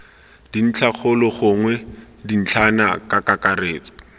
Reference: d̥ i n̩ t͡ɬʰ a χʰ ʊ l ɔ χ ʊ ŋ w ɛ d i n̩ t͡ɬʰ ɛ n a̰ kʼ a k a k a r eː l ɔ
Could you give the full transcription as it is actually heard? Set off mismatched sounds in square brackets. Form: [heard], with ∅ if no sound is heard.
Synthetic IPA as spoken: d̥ i n̩ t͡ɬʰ a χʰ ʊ l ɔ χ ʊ ŋ w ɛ d i n̩ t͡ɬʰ [a] n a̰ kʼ a k a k a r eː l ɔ

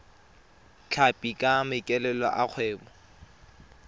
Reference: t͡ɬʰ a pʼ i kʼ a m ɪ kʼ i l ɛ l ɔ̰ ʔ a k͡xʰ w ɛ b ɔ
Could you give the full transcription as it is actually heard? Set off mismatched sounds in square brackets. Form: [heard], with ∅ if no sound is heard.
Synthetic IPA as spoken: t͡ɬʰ a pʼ i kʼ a m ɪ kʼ [ɛ] l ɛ l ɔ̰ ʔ a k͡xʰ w [ɛː] b ɔ

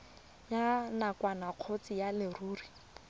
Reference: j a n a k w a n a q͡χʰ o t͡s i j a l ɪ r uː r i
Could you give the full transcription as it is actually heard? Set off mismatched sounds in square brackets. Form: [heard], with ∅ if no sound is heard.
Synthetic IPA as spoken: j a n a k w a n a q͡χʰ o t͡s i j a l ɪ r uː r i

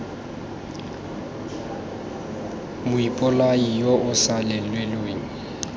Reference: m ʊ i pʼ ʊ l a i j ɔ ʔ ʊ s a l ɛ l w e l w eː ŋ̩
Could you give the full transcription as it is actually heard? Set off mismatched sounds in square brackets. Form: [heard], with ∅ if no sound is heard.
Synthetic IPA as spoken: m ʊ i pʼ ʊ l a i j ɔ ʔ ʊ s a l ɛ l w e l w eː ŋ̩

